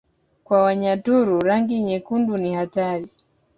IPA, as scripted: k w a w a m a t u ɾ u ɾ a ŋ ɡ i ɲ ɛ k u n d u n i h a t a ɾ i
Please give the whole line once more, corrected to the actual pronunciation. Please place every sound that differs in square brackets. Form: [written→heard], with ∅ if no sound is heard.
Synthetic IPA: k w a w a [m→ɲ] a t u ɾ u ɾ a ŋ ɡ i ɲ ɛ k u n d u n i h a t a ɾ i